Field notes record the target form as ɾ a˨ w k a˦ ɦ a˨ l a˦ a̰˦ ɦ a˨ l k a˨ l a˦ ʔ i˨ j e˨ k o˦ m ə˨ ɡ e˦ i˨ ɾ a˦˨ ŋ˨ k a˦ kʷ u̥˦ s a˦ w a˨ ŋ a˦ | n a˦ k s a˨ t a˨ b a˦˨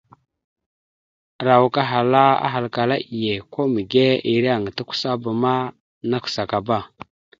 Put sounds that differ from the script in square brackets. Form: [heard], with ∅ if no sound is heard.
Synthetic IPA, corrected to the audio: ɾ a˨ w k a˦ ɦ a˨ l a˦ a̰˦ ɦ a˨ l k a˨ l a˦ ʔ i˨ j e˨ k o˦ m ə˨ ɡ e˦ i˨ ɾ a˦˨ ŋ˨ [t] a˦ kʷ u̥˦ s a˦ [b] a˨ [m] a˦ | n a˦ k s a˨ [k] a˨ b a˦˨